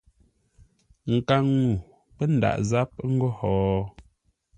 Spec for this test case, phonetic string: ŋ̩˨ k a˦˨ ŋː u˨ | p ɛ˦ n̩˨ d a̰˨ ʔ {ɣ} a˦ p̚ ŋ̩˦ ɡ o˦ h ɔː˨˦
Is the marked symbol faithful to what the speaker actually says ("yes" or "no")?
no